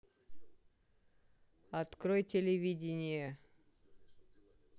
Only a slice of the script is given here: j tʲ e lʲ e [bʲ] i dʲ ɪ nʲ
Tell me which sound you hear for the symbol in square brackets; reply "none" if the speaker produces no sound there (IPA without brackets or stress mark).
vʲ